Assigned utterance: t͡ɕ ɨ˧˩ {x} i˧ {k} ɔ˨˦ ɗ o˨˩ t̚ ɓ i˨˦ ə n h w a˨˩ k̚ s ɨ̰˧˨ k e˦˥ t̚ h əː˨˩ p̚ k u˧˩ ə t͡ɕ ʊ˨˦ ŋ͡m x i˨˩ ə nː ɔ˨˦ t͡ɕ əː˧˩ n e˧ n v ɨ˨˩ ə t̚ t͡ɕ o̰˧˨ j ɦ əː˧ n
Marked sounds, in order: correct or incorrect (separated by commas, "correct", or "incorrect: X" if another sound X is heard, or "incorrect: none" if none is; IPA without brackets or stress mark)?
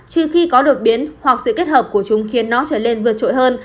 correct, correct